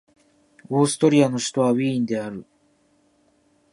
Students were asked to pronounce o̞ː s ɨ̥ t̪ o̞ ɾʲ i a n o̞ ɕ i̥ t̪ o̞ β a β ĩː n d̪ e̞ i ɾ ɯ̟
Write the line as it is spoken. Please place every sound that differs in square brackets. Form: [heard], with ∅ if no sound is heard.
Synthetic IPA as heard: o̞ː s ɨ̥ t̪ o̞ ɾʲ i a n o̞ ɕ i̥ t̪ o̞ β a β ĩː n d̪ e̞ [a] ɾ ɯ̟